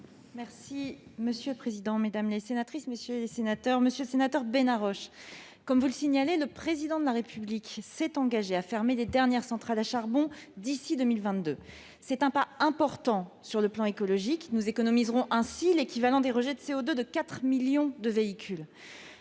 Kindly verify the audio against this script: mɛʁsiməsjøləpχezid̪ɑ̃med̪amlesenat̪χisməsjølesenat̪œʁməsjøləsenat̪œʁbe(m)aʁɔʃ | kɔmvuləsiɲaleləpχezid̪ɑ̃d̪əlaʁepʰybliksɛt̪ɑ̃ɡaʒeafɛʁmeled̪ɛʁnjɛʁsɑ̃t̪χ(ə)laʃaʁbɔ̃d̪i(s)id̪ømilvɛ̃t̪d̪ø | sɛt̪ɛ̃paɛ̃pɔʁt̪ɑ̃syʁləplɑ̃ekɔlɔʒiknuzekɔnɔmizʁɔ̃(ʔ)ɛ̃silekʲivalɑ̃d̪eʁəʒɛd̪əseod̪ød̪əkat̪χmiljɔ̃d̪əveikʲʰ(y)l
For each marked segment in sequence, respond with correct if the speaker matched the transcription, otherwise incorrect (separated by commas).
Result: incorrect, incorrect, correct, correct, correct